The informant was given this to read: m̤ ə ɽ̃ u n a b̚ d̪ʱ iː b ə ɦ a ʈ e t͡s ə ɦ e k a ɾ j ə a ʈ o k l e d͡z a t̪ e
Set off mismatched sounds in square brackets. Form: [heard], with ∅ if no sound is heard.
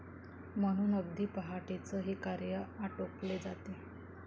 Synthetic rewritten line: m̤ ə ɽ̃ [uː] n [ə] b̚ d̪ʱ iː [p] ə ɦ a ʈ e t͡s ə ɦ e k a ɾ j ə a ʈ o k l e d͡z a t̪ e